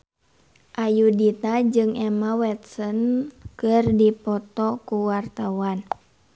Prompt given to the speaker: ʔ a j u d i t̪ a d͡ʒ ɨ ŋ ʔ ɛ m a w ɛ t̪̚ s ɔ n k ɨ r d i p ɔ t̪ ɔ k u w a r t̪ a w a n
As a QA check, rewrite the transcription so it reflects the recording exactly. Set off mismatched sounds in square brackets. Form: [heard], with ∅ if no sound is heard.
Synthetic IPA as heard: ʔ a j u d i t̪ a d͡ʒ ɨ ŋ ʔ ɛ m a w ɛ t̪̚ s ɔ n k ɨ r d i p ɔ t̪ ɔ k u w a r t̪ a w a n